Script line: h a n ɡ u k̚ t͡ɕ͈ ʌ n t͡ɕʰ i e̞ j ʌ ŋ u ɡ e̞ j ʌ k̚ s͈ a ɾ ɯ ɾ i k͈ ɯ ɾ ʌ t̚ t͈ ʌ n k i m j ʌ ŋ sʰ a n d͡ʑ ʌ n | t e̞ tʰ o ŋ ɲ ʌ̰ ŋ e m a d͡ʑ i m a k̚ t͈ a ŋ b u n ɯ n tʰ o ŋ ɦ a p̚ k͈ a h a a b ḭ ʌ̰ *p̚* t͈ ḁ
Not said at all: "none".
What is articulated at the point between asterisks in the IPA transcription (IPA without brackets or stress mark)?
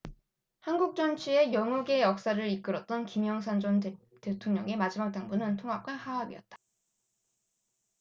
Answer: t̚